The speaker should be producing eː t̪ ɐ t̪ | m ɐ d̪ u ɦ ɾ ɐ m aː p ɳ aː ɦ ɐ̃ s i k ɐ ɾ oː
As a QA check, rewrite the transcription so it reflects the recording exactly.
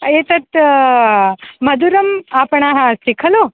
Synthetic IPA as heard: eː t̪ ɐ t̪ | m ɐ d̪ u ɾ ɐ m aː p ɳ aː ɦ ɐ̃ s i kʰ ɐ l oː